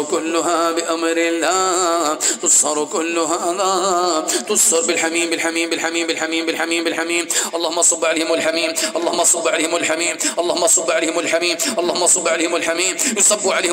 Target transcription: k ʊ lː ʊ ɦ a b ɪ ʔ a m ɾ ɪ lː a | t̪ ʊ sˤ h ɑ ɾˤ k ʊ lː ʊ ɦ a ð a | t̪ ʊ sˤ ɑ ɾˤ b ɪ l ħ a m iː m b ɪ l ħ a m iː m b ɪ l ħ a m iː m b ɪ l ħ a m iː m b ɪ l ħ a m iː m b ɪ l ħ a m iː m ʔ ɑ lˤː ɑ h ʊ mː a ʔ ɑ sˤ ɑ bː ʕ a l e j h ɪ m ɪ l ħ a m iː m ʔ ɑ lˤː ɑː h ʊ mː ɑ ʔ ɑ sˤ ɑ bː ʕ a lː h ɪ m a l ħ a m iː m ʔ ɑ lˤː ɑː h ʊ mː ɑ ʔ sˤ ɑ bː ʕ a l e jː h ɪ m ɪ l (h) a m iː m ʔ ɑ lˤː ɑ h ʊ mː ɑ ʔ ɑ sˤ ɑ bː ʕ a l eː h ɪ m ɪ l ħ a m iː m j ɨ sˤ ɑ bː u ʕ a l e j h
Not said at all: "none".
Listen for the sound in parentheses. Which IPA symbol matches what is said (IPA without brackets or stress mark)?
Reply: ħ